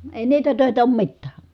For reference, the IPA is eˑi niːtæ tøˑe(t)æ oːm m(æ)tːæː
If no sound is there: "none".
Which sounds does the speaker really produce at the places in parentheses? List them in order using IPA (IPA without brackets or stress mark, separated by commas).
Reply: t, i